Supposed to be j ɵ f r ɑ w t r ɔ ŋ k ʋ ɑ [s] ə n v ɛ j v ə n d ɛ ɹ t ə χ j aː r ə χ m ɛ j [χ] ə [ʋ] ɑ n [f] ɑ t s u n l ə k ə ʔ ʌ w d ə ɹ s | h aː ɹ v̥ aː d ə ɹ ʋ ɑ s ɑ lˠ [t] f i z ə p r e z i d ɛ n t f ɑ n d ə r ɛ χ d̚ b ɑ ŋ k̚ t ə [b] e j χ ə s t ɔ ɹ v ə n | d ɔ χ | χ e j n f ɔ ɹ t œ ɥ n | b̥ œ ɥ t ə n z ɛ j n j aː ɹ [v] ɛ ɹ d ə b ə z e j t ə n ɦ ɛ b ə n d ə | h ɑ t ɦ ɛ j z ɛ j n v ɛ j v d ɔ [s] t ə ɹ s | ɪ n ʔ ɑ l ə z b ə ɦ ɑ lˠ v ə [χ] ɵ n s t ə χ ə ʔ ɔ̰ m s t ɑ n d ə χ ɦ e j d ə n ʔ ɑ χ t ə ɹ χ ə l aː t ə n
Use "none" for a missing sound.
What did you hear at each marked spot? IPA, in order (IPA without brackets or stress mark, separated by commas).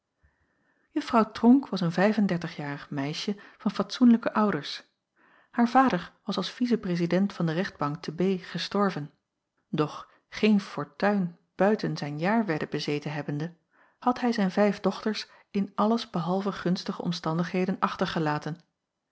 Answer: s, ʃ, v, f, s, b, ʋ, χ, χ